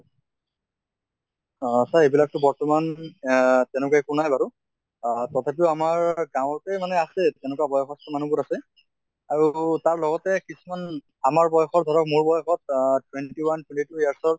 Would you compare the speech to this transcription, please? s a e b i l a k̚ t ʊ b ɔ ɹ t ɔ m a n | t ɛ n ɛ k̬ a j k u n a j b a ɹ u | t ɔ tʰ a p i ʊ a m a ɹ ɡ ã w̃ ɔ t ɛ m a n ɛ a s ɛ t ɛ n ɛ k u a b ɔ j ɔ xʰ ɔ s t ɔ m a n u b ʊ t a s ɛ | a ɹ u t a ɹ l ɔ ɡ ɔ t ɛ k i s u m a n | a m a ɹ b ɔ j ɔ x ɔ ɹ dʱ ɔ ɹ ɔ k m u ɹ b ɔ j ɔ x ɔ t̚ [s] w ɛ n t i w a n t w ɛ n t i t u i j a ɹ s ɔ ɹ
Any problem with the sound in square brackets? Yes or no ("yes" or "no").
yes